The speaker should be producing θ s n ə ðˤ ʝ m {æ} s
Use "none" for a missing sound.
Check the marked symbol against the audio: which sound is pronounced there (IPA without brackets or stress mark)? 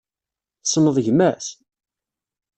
æ